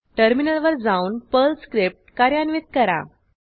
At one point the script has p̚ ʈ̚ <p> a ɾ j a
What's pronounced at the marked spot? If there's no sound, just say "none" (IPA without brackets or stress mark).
k